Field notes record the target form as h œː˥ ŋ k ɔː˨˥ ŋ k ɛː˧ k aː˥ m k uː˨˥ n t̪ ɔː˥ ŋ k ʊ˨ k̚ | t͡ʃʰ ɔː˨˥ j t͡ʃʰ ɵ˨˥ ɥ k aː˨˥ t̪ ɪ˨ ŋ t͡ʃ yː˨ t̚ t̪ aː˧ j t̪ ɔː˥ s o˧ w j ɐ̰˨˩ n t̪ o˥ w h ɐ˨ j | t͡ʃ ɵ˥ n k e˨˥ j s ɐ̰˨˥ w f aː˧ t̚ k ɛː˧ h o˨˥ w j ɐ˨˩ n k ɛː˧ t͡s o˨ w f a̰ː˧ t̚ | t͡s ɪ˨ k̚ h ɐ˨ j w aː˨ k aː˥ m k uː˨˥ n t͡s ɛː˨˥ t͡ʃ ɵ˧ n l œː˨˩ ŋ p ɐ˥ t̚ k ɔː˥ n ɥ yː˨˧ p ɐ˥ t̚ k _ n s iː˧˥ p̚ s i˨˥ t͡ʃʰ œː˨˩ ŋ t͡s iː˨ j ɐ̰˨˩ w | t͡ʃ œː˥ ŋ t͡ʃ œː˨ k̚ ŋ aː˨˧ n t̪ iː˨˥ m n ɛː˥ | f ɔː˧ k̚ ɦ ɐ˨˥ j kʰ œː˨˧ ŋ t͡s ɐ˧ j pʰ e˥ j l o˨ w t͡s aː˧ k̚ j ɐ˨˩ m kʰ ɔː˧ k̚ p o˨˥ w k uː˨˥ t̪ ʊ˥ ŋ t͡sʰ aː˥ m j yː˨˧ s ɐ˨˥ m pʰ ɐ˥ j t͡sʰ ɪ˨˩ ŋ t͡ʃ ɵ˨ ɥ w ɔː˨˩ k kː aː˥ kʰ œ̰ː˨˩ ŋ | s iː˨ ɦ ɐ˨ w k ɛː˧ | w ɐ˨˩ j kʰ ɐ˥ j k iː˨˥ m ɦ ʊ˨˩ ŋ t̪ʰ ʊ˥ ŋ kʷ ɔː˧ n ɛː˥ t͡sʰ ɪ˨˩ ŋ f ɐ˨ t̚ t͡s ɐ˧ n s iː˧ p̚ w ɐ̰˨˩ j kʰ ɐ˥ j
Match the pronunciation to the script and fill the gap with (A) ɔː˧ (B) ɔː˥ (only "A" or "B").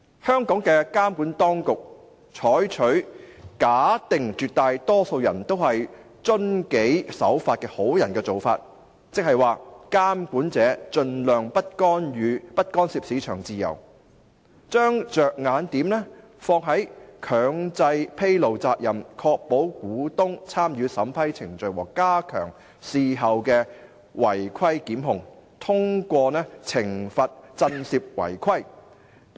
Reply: B